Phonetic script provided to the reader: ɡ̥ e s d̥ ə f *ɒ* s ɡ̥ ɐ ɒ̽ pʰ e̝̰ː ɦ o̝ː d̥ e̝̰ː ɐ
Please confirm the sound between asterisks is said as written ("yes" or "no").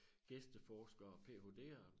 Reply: no